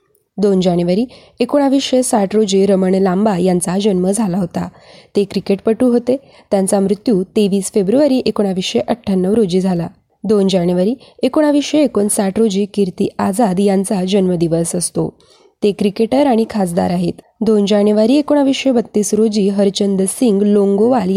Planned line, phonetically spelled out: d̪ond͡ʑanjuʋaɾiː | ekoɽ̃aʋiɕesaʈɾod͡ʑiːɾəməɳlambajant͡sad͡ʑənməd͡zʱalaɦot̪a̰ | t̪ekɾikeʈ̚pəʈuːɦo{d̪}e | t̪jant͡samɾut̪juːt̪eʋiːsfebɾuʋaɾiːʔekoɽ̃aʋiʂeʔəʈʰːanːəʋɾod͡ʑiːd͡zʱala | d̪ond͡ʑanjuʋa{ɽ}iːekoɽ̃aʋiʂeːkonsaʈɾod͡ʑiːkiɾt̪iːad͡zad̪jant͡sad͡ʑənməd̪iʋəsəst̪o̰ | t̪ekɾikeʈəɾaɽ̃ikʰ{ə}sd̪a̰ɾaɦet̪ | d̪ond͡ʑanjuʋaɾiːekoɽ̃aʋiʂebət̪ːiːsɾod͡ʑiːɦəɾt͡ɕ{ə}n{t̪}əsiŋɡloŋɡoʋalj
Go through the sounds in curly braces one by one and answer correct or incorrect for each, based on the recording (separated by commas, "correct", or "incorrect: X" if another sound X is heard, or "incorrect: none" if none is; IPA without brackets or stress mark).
incorrect: t̪, incorrect: ɾ, incorrect: a, correct, incorrect: d̪